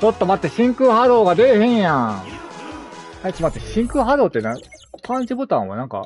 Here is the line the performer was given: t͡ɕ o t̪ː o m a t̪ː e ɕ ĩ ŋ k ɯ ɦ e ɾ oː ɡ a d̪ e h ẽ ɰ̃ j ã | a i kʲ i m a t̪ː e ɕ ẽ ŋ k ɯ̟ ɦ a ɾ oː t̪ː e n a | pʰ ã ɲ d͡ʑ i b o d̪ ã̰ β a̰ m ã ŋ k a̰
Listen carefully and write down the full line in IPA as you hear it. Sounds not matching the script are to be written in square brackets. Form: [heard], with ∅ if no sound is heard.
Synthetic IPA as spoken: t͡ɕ o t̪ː o m a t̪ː e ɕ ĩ ŋ k ɯ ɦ [a] ɾ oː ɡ a d̪ e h ẽ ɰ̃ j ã | a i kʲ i m a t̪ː e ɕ [ĩ] ŋ k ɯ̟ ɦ a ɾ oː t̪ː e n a | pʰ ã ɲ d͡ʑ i b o [t̪] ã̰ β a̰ [n] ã ŋ k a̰